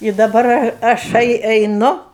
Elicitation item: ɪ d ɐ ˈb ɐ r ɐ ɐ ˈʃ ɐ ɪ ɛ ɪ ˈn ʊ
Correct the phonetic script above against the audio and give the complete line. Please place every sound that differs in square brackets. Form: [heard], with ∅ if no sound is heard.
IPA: ɪ d ɐ ˈb ɐ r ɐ ɐ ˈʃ ɐ ɪ ɛ ɪ ˈn ʊ